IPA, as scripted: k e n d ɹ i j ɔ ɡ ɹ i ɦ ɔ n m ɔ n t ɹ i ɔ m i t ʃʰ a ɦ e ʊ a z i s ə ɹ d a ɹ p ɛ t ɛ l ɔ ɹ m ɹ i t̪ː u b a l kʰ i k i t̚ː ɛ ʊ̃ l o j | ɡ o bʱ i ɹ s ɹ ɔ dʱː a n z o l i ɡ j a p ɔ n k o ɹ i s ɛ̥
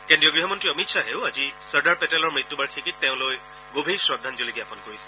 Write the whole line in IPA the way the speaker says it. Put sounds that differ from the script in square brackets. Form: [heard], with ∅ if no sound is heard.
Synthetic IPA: k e n d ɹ i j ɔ ɡ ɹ i ɦ ɔ [∅] m ɔ n t ɹ i ɔ m i t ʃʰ a ɦ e ʊ a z i s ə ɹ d a ɹ p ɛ t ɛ l ɔ ɹ m ɹ i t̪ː u b a [ɹ] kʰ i k i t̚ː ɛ ʊ̃ l o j | ɡ o bʱ i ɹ s ɹ ɔ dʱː a n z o l i ɡ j a p ɔ n k o ɹ i s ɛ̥